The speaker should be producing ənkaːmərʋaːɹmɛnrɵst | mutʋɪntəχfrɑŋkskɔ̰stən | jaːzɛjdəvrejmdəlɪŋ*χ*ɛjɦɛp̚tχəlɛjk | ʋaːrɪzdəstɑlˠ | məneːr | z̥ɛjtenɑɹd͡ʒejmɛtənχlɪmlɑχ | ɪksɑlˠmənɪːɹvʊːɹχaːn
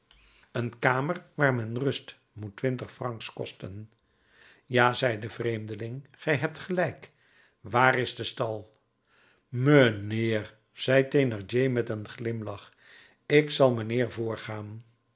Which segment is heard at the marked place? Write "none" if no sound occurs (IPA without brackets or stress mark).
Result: χ